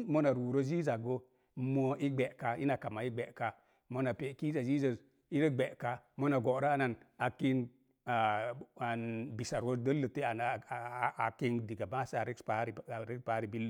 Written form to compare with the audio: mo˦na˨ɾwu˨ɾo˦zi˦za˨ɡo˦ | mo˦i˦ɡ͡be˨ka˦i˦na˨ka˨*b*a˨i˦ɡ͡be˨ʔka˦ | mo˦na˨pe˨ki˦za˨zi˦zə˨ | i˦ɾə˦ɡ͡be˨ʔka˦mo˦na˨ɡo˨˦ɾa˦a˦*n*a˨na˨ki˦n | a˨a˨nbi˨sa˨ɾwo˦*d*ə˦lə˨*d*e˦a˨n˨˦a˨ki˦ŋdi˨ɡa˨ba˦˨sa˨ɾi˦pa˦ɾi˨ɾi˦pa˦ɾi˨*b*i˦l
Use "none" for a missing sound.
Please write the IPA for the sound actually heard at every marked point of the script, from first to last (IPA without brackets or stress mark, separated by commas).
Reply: m, n, d, t, b